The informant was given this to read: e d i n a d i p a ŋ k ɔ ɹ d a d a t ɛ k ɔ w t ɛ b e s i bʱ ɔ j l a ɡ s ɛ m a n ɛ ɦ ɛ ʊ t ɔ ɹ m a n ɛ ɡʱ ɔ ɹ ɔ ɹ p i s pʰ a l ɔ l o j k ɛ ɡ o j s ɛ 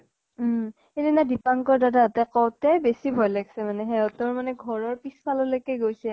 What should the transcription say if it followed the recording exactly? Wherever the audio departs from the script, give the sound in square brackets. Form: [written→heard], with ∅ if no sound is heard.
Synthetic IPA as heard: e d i n a d i p a ŋ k ɔ ɹ d a d a t ɛ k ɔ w t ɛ b e s i bʱ ɔ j l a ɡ s ɛ m a n ɛ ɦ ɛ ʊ t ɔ ɹ m a n ɛ ɡʱ ɔ ɹ ɔ ɹ p i s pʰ a l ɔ l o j k ɛ ɡ o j s ɛ